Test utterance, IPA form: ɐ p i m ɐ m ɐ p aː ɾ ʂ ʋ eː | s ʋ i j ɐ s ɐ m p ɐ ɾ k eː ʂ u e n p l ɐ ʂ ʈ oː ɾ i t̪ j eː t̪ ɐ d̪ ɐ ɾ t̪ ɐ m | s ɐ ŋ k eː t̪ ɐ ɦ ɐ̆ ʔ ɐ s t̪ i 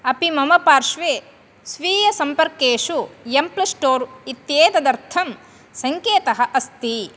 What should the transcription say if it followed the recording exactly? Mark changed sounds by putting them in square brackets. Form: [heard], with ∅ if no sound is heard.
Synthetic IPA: ɐ p i m ɐ m ɐ p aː ɾ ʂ ʋ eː | s ʋ [iː] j ɐ s ɐ m p ɐ ɾ k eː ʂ u e [m] p l ɐ [s] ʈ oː ɾ i t̪ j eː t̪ ɐ d̪ ɐ ɾ [t̪ʰ] ɐ m | s ɐ ŋ k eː t̪ ɐ ɦ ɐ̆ ʔ ɐ s t̪ i